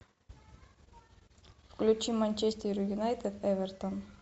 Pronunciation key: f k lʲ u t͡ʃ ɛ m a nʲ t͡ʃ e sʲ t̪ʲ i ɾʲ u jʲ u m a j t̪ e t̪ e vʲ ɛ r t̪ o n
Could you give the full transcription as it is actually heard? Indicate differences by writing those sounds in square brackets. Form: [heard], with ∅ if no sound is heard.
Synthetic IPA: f k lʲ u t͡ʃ [i] m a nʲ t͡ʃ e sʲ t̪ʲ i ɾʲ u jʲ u [n] a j t̪ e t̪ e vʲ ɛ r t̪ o n